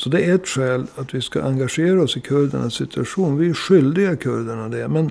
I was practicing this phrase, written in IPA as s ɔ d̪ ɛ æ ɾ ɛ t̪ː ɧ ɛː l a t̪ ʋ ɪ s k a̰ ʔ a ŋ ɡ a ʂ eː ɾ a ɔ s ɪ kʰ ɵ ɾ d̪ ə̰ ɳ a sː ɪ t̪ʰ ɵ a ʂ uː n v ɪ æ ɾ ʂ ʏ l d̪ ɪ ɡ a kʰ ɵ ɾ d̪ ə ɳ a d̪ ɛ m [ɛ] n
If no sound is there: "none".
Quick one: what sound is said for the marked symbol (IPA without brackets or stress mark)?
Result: ɛ